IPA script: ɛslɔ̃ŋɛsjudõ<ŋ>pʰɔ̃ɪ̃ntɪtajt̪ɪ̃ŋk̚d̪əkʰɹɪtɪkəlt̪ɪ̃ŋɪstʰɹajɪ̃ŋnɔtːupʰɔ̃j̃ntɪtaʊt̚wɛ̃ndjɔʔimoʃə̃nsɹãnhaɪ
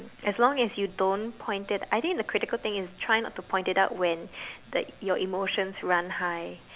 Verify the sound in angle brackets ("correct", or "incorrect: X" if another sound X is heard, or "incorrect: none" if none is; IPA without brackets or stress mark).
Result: incorrect: n